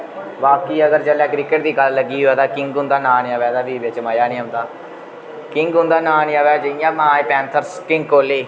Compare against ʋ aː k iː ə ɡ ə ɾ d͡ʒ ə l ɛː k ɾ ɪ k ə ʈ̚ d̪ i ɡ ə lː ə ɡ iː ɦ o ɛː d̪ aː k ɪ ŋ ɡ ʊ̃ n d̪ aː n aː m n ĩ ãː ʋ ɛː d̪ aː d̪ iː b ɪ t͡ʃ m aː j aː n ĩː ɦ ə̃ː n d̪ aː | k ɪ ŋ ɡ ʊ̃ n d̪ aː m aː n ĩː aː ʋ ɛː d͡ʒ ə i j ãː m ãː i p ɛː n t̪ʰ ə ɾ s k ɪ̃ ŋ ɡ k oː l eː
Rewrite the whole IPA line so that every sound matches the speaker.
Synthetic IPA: ʋ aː k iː ə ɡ ə ɾ d͡ʒ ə l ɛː k ɾ ɪ k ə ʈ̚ d̪ iː ɡ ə lː ə ɡ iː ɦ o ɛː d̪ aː k ɪ ŋ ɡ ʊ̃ n d̪ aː n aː n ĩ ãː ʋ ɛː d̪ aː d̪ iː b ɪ t͡ʃ m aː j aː n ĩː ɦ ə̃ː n d̪ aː | k ɪ ŋ ɡ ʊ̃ n d̪ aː n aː n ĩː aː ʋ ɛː d͡ʒ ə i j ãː m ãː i p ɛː n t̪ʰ ə ɾ s k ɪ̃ ŋ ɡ k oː l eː